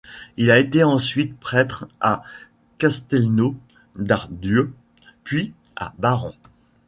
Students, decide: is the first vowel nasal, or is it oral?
oral